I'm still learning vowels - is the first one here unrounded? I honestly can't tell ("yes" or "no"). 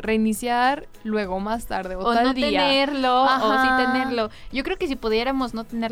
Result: yes